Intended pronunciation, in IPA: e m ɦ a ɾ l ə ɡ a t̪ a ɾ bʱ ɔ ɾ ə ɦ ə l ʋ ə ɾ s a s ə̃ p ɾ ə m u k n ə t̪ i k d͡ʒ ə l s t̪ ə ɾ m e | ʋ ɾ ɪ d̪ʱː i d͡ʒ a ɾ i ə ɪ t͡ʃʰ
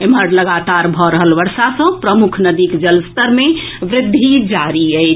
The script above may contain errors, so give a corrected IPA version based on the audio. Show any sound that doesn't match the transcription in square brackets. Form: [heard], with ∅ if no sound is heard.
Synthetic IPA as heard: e m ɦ [ə] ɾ l ə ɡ a t̪ a ɾ bʱ ɔ ɾ ə ɦ ə l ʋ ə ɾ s a s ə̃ p ɾ ə m u [kʰ] n ə [d̪] i k d͡ʒ ə l s t̪ ə ɾ m e | ʋ ɾ ɪ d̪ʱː i d͡ʒ a ɾ i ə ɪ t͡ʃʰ